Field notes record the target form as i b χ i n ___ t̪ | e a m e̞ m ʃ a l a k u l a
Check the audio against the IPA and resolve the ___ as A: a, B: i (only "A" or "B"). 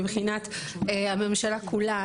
A